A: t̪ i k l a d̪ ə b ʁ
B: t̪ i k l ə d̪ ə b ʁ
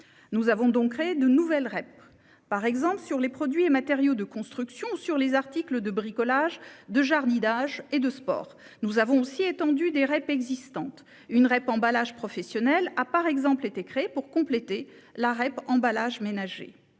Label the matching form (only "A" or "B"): B